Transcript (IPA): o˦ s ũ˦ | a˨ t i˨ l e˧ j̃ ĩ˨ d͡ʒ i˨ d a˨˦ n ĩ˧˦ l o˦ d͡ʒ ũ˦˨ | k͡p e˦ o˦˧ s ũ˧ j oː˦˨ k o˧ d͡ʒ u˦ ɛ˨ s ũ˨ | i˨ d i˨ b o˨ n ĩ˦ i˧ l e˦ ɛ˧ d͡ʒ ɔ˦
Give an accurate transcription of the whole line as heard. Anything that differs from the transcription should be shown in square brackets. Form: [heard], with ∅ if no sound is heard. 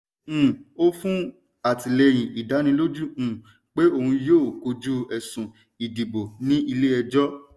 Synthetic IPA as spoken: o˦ [f] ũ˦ | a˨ t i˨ l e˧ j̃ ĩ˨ [∅] i˨ d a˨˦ n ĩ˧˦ l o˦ d͡ʒ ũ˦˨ | k͡p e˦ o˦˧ [h] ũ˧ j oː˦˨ k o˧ d͡ʒ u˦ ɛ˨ s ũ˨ | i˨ d i˨ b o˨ n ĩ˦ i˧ l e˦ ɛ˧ d͡ʒ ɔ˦